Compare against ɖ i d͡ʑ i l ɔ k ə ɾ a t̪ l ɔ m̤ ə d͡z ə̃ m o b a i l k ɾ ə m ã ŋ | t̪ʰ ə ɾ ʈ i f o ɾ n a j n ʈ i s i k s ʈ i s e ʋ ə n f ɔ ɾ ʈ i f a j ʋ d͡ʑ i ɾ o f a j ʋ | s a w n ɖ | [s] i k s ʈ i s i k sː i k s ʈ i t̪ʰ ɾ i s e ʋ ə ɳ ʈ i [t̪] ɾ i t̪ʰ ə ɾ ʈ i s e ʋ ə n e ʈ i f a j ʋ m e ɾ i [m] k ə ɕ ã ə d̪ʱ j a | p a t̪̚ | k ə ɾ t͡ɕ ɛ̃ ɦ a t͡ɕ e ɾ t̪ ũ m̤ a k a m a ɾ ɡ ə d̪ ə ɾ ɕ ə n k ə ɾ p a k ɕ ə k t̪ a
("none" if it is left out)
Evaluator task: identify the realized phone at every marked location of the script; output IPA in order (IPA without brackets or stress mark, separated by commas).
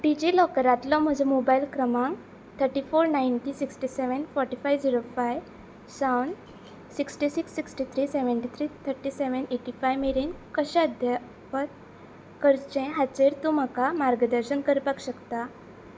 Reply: s, t̪ʰ, n